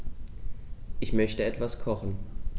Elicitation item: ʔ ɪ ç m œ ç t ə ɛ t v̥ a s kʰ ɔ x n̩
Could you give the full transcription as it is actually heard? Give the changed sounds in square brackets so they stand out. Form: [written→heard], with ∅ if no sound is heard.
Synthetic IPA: ʔ ɪ ç m œ ç t ə ɛ t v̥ a s kʰ ɔ [x→χ] n̩